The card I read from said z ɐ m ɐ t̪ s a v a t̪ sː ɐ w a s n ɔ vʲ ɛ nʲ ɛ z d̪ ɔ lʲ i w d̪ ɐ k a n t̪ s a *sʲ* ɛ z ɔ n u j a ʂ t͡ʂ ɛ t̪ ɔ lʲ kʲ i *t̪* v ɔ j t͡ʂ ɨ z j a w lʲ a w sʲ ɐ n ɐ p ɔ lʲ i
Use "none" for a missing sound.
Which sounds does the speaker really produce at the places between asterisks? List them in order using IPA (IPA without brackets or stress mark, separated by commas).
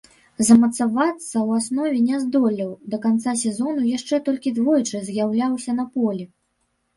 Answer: sʲ, d̪